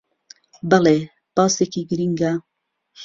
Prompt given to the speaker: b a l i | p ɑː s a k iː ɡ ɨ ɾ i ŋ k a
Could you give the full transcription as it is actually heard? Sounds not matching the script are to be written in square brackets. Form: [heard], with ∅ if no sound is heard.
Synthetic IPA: b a l [e] | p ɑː s [e] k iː ɡ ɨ ɾ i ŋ [ɡ] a